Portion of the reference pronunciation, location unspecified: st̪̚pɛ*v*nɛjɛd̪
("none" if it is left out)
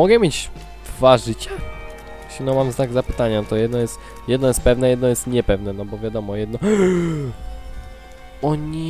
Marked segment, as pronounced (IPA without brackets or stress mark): v